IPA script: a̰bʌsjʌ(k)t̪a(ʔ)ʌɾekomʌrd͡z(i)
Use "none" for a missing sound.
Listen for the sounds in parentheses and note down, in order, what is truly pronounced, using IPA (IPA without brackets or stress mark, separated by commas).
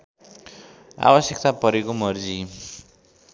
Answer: k, p, i